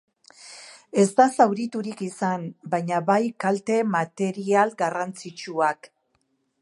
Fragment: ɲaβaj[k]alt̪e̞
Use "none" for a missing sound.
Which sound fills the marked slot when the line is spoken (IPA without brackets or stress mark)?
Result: k